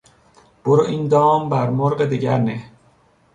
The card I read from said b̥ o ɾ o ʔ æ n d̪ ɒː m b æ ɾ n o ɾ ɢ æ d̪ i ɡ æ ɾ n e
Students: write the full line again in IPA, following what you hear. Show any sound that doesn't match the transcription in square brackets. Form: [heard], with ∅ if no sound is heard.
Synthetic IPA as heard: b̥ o ɾ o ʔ [i] n d̪ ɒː m b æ ɾ [m] o ɾ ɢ [e] d̪ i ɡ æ ɾ n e

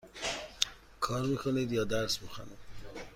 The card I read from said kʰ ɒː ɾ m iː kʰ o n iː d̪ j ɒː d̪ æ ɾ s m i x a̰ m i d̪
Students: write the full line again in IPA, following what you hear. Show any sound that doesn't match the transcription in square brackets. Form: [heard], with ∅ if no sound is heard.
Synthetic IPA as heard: kʰ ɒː ɾ m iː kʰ o n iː d̪ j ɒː d̪ æ ɾ s m i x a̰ [n] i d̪

